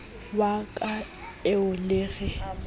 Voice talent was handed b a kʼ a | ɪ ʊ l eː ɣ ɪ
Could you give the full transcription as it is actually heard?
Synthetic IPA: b a kʼ a | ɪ ʊ l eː ɣ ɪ